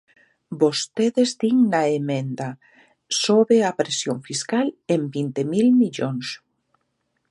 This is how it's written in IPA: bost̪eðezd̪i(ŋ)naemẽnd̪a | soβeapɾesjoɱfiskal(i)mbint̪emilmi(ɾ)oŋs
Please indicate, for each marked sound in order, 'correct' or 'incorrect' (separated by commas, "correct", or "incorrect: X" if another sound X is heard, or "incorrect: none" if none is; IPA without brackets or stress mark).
correct, incorrect: e, incorrect: ʎ